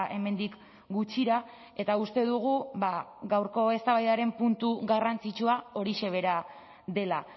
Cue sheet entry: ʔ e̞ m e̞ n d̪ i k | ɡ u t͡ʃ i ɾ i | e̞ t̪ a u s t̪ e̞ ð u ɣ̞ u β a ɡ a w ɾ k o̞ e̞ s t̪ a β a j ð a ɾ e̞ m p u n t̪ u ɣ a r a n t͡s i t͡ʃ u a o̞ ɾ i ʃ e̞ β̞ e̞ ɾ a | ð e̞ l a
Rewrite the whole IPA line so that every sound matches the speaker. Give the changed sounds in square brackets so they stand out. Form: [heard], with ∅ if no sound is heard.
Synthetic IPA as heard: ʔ e̞ m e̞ n d̪ i k | ɡ u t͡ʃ i ɾ [a] | e̞ t̪ a u s t̪ e̞ ð u ɣ̞ u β a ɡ a w ɾ k o̞ e̞ s t̪ a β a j ð a ɾ e̞ m p u n t̪ u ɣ a r a n t͡s i t͡ʃ u a o̞ ɾ i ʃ e̞ β̞ e̞ ɾ a | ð e̞ l a

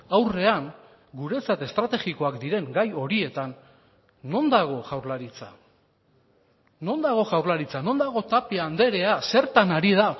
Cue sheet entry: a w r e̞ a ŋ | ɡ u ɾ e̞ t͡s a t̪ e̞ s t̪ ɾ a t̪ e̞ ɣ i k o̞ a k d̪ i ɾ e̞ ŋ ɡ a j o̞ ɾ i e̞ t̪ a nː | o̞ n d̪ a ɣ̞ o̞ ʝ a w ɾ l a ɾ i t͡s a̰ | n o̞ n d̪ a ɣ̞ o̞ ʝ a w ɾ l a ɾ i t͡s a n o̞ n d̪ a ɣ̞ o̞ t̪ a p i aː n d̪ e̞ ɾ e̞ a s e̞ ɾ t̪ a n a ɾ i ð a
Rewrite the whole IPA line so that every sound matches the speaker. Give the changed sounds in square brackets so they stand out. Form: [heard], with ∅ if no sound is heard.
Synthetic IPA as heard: a w r e̞ a ŋ | ɡ u ɾ e̞ t͡s a t̪ e̞ s t̪ ɾ a t̪ e̞ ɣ i k o̞ a k d̪ i ɾ e̞ ŋ ɡ a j o̞ ɾ i e̞ t̪ a nː | o̞ n d̪ a ɣ̞ o̞ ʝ a w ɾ l a ɾ i t͡s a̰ | n o̞ n d̪ a ɣ̞ o̞ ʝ a w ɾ l a ɾ i t͡s a n o̞ n d̪ a ɣ̞ o̞ t̪ a p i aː n d̪ e̞ ɾ e̞ a s e̞ ɾ t̪ a n a ɾ i ð a

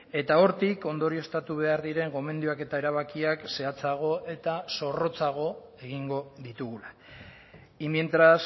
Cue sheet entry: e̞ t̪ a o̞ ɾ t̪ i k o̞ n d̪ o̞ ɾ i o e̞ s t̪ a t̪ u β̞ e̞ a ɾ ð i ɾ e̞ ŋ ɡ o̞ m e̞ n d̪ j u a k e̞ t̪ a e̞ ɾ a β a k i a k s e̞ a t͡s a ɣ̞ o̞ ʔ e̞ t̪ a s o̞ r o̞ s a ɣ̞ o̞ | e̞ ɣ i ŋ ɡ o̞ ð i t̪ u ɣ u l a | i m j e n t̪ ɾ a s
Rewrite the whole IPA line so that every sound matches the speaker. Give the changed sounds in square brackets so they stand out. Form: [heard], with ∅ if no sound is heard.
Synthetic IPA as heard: e̞ t̪ a o̞ ɾ t̪ i k o̞ n d̪ o̞ ɾ i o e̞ s t̪ a t̪ u β̞ e̞ a ɾ ð i ɾ e̞ ŋ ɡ o̞ m e̞ n d̪ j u a k e̞ t̪ a e̞ ɾ a β a k i a k s e̞ a t͡s a ɣ̞ o̞ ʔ e̞ t̪ a s o̞ r o̞ [t͡s] a ɣ̞ o̞ | e̞ ɣ i ŋ ɡ o̞ ð i t̪ u ɣ u l a | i m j e n t̪ ɾ a s

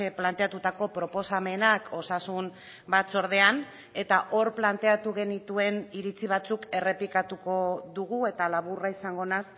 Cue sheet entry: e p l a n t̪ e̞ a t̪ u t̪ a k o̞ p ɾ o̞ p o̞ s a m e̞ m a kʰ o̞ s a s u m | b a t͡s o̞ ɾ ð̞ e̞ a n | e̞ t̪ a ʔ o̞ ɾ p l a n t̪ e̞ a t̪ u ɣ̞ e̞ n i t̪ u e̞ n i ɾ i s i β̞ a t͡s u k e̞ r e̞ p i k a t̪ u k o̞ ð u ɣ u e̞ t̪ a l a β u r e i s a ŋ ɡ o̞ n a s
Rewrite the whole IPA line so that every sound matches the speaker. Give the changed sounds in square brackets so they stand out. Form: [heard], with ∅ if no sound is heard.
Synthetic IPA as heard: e p l a n t̪ e̞ a t̪ u t̪ a k o̞ p ɾ o̞ p o̞ s a m e̞ [n] a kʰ o̞ s a s u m | b a t͡s o̞ ɾ ð̞ e̞ a n | e̞ t̪ a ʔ o̞ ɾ p l a n t̪ e̞ a t̪ u ɣ̞ e̞ n i t̪ u e̞ n i ɾ i [t͡s] i β̞ a t͡s u k e̞ r e̞ p i k a t̪ u k o̞ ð u ɣ u e̞ t̪ a l a β u r [a] i s a ŋ ɡ o̞ n a s

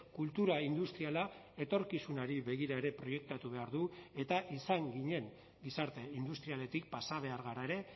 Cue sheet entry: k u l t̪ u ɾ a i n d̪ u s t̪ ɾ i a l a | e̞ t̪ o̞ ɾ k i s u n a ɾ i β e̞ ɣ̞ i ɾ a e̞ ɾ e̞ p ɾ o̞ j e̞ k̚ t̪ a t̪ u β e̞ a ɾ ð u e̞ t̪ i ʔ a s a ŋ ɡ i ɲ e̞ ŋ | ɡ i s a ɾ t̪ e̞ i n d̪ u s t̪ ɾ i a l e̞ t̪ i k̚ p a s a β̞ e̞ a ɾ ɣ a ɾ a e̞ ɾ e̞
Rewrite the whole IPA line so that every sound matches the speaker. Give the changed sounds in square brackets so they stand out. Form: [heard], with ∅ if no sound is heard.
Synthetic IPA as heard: k u l t̪ u ɾ a i n d̪ u s t̪ ɾ i a l a | e̞ t̪ o̞ ɾ k i s u n a ɾ i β e̞ ɣ̞ i ɾ a e̞ ɾ e̞ p ɾ o̞ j e̞ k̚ t̪ a t̪ u β e̞ a ɾ ð u e̞ t̪ [a] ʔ [i] s a ŋ ɡ i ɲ e̞ ŋ | ɡ i s a ɾ t̪ e̞ i n d̪ u s t̪ ɾ i a l e̞ t̪ i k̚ p a s a β̞ e̞ a ɾ ɣ a ɾ a e̞ ɾ e̞

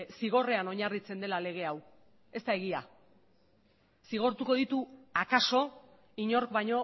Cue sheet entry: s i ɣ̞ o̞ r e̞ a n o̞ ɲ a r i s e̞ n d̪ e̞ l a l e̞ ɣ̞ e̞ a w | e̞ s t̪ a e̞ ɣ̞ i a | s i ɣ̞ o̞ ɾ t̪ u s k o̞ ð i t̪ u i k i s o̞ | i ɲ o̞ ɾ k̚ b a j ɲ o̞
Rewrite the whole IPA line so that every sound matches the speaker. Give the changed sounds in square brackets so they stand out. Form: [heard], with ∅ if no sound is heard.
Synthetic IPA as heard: s i ɣ̞ o̞ r e̞ a n o̞ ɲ a r i [t͡s] e̞ n d̪ e̞ l a l e̞ ɣ̞ e̞ a w | e̞ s t̪ a e̞ ɣ̞ i a | s i ɣ̞ o̞ ɾ t̪ u [∅] k o̞ ð i t̪ u [a] k [a] s o̞ | i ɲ o̞ ɾ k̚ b a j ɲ o̞

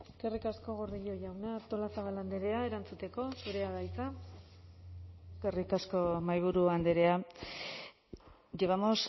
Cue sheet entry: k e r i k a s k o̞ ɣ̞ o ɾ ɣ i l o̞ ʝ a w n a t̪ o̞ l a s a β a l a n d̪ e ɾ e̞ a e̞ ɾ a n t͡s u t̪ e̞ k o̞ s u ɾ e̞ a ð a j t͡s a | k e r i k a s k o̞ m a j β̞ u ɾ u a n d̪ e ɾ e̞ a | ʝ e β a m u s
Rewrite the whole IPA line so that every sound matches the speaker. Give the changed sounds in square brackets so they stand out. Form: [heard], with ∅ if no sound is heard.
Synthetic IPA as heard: k e r i k a s k o̞ ɣ̞ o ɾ [ð] i [ʎ] o̞ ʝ a w n a t̪ o̞ l a s a β a l a n d̪ e ɾ e̞ a e̞ ɾ a n t͡s u t̪ e̞ k o̞ s u ɾ e̞ a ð a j t͡s a | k e r i k a s k o̞ m a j β̞ u ɾ u a n d̪ e ɾ e̞ a | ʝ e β a m [o] s

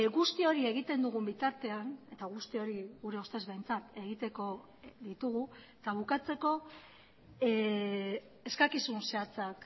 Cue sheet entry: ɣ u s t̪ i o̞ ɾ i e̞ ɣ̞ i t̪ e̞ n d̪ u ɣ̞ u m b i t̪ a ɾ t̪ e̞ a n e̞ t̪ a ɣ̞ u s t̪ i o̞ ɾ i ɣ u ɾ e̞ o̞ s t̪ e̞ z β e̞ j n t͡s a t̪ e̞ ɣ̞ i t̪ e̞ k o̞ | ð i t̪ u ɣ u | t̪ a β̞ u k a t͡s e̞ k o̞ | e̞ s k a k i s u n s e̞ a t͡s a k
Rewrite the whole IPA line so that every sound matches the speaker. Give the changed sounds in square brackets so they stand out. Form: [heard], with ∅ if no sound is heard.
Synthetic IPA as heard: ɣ u s t̪ i o̞ ɾ i e̞ ɣ̞ i t̪ e̞ n d̪ u ɣ̞ u m b i t̪ a ɾ t̪ e̞ a n e̞ t̪ a ɣ̞ u s t̪ i o̞ ɾ i ɣ u ɾ e̞ o̞ s t̪ e̞ z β e̞ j n t͡s a t̪ e̞ ɣ̞ i t̪ e̞ k o̞ | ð i t̪ u ɣ u | t̪ a β̞ u k a t͡s e̞ k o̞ | e̞ s k a k i s u n s e̞ a t͡s a k

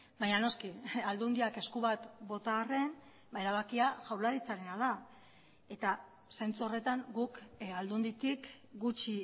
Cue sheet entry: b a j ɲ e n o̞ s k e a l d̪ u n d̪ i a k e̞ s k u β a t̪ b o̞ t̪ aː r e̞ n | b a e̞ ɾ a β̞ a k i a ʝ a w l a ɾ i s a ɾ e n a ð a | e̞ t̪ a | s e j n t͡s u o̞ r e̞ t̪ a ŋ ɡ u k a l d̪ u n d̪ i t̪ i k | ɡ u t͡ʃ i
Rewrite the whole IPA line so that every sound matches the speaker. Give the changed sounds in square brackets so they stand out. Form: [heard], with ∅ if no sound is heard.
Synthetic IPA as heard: b a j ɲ [a] n o̞ s k [i] a l d̪ u n d̪ i a k e̞ s k u β a t̪ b o̞ t̪ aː r e̞ n | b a e̞ ɾ a β̞ a k i a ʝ a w l a ɾ i [t͡s] a ɾ e n a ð a | e̞ t̪ a | s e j n t͡s u o̞ r e̞ t̪ a ŋ ɡ u k a l d̪ u n d̪ i t̪ i k | ɡ u t͡ʃ i

